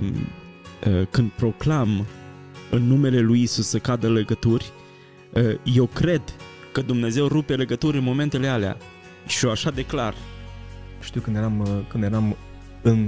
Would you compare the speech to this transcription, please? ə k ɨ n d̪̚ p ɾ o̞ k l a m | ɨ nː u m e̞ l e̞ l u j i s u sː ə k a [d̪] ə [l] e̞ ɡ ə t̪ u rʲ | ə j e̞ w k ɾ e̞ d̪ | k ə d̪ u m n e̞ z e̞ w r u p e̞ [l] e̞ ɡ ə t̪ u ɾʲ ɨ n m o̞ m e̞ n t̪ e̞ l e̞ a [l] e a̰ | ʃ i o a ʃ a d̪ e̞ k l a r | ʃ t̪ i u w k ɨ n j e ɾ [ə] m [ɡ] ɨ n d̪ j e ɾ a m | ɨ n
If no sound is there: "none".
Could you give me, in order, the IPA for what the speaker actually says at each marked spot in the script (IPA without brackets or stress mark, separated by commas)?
d̪, l, l, l, a, k